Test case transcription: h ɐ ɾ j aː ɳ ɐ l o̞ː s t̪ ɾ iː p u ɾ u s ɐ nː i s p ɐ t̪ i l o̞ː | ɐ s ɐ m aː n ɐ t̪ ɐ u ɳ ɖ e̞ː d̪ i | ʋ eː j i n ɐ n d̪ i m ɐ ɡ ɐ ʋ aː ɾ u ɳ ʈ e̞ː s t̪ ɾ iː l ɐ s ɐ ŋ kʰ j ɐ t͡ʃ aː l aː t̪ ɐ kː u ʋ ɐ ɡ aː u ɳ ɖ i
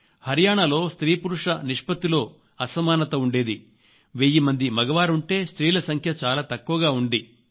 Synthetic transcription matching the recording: h ɐ ɾ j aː ɳ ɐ l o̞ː s t̪ ɾ iː p u ɾ u ʂ ɐ n i ʂ p ɐ t̪ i l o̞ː | ɐ s ɐ m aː n ɐ t̪ ɐ u ɳ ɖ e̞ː d̪ i | ʋ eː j i m ɐ n d̪ i m ɐ ɡ ɐ ʋ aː ɾ u ɳ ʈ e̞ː s t̪ ɾ iː l ɐ s ɐ ŋ kʰ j ɐ t͡ʃ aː l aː t̪ ɐ kː u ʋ ɐ ɡ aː u ɳ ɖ i